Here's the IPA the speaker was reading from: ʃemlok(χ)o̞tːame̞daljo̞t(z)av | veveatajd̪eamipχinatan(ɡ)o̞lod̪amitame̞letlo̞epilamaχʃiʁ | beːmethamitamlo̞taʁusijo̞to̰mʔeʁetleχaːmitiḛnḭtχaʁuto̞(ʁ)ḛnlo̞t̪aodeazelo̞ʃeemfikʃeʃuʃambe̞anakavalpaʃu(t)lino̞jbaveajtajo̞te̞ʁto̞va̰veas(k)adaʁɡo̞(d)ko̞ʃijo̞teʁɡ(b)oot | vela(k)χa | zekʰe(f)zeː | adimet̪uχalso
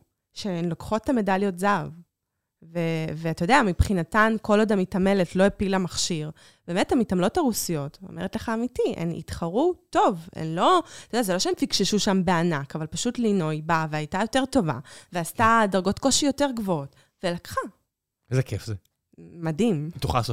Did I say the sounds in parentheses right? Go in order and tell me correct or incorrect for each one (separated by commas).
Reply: correct, correct, incorrect, incorrect, correct, incorrect, incorrect, incorrect, correct, correct